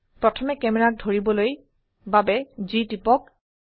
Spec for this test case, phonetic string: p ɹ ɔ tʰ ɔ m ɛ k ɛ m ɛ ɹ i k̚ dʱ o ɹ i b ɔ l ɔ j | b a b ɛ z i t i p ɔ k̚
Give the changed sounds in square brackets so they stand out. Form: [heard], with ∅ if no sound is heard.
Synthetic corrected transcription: p ɹ ɔ tʰ ɔ m ɛ k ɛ m ɛ ɹ [a] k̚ dʱ o ɹ i b ɔ l [o] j | b a b ɛ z i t i p ɔ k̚